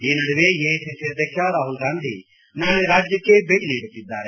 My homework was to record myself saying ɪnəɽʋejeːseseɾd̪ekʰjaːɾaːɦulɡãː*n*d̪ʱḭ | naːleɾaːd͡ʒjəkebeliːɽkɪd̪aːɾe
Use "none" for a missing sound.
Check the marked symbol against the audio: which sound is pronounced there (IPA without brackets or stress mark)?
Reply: n